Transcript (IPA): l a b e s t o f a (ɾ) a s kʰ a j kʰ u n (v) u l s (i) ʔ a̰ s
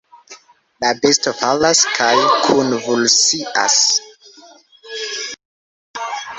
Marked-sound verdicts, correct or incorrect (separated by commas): incorrect, correct, correct